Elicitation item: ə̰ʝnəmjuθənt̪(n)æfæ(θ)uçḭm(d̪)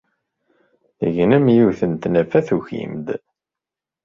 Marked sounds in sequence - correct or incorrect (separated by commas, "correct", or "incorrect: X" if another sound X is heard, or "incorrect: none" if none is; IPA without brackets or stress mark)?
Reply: correct, correct, correct